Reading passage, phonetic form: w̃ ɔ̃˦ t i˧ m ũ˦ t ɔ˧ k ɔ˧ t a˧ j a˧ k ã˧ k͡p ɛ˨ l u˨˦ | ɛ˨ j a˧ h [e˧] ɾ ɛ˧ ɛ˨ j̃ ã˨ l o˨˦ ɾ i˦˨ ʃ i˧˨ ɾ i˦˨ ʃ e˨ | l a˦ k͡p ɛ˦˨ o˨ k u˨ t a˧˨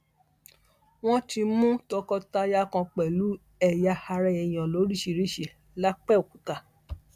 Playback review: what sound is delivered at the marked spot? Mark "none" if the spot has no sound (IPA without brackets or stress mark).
a˧